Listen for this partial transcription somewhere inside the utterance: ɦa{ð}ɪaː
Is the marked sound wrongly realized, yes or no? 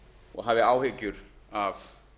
yes